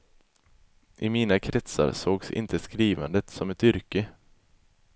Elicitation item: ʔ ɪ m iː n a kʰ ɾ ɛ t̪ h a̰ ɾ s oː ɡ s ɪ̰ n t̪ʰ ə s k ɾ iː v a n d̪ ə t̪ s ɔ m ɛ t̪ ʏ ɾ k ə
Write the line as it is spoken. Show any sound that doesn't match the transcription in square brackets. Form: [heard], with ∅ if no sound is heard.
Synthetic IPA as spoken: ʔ ɪ m iː n a kʰ ɾ ɛ t̪ [s] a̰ ɾ s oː ɡ s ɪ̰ n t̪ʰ ə s k ɾ iː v a n d̪ ə t̪ s ɔ m ɛ t̪ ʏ ɾ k ə